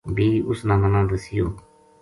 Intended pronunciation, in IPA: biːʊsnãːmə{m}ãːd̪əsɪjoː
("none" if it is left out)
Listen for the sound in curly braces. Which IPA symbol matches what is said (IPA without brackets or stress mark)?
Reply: n